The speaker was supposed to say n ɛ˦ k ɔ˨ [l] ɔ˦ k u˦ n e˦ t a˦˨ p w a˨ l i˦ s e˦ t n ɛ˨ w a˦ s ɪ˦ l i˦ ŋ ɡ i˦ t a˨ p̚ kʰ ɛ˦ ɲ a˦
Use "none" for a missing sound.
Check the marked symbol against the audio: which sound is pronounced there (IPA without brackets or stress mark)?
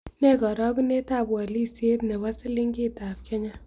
ɾ